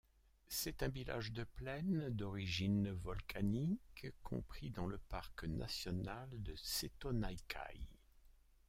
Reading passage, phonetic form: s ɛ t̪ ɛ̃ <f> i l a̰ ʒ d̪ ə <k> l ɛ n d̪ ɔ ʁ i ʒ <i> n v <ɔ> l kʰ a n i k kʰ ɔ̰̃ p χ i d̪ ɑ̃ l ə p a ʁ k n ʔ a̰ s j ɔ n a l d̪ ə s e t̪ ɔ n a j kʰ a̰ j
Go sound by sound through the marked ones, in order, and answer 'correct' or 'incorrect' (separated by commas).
incorrect, incorrect, correct, correct